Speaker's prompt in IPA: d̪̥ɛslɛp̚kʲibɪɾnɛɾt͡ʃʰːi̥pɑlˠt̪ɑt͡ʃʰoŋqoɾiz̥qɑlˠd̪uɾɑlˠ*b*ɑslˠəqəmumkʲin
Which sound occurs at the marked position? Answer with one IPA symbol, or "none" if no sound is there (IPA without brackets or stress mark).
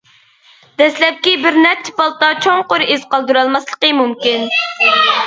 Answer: m